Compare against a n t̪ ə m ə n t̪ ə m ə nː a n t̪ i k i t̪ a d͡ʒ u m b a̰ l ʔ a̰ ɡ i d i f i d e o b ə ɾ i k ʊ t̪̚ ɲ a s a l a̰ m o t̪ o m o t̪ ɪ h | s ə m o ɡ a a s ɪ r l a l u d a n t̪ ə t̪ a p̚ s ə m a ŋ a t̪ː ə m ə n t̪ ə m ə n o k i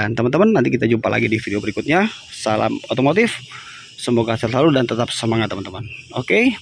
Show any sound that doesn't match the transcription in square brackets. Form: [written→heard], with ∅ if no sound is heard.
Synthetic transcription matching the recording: a n t̪ ə m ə n t̪ ə m ə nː a n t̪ i k i t̪ a d͡ʒ u m [b→p] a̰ l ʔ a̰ ɡ i d i f i d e o b ə ɾ i k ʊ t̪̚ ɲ a s a l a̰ m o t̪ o m o t̪ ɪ [h→f] | s ə m o ɡ a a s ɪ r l a l u d a n t̪ ə t̪ a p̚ s ə m a ŋ a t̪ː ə m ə n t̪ ə m ə n o k [i→e]